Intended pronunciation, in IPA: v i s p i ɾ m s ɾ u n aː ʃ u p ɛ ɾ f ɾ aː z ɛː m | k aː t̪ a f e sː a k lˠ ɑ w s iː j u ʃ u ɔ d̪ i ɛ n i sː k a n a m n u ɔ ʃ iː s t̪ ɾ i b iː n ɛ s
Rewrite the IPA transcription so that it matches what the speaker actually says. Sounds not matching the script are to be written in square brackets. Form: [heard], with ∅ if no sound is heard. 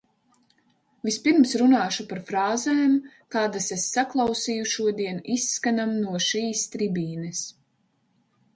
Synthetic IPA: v i s p i ɾ m s ɾ u n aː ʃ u p [a] ɾ f ɾ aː z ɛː m | k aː [d̪] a [s] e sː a k lˠ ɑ w s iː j u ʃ u ɔ d̪ i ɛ n i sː k a n a m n u ɔ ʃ iː s t̪ ɾ i b iː n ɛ s